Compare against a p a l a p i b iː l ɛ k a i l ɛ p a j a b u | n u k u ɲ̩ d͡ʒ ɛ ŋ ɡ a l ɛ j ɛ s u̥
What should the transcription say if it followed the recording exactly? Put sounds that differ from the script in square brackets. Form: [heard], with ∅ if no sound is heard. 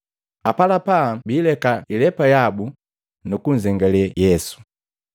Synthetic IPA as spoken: a p a l a p [a] b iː l ɛ k a i l ɛ p a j a b u | n u k u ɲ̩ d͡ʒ ɛ ŋ ɡ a l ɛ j ɛ s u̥